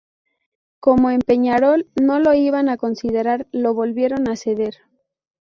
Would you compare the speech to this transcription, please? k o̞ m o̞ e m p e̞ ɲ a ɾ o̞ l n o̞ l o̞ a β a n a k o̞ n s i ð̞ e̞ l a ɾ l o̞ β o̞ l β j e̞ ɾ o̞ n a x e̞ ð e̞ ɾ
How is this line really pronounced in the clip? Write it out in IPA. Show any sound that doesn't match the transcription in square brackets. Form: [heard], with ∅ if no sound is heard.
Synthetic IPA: k o̞ m o̞ e m p e̞ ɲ a ɾ o̞ l n o̞ l o̞ [i] β a n a k o̞ n s i ð̞ e̞ [ɾ] a ɾ l o̞ β o̞ l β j e̞ ɾ o̞ n a [s] e̞ ð e̞ ɾ